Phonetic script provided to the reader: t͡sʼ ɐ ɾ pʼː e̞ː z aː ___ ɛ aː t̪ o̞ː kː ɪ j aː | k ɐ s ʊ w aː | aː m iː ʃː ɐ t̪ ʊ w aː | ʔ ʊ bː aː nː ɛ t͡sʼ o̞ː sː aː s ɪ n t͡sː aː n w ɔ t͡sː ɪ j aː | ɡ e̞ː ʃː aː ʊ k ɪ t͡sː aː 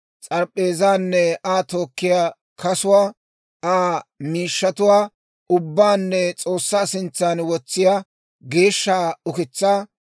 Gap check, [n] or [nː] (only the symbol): nː